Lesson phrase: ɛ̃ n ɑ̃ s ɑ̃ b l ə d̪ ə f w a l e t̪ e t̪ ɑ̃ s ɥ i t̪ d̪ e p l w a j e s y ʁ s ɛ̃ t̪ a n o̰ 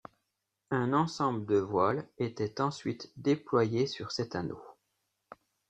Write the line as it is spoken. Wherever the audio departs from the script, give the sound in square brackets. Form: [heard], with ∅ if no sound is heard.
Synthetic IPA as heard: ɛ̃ n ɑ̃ s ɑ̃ b l ə d̪ ə [v] w a l e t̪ [ɛ] t̪ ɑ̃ s ɥ i t̪ d̪ e p l w a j e s y ʁ s [ɛ] t̪ a n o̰